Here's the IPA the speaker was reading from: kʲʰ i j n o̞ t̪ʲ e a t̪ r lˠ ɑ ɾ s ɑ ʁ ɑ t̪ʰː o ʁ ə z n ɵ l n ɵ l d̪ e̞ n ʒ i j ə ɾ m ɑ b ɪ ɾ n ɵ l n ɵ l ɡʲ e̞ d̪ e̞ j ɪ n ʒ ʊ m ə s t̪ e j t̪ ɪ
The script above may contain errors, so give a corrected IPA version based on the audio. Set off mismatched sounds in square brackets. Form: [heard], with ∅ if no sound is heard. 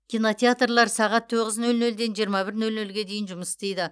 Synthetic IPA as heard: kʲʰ i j n o̞ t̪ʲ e a t̪ r lˠ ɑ ɾ s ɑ ʁ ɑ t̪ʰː o ʁ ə z n ɵ l n ɵ l d̪ e̞ n ʒ i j ə ɾ m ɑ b ɪ ɾ n ɵ l n ɵ l ɡʲ e̞ d̪ e̞ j ɪ n ʒ ʊ m ə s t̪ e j [d̪] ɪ